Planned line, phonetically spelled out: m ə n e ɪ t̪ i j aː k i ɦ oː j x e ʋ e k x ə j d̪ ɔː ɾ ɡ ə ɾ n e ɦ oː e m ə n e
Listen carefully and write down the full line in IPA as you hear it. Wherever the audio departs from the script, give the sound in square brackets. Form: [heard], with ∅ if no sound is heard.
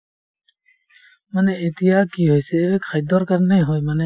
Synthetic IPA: m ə n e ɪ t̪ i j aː k i ɦ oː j [s] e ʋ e k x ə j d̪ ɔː ɾ [k] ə ɾ n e ɦ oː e m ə n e